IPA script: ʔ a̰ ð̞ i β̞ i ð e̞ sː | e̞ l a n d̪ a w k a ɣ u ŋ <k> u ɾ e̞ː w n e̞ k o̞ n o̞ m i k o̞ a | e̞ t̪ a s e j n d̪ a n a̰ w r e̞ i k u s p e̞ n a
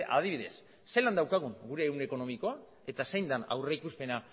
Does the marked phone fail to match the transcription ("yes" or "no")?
yes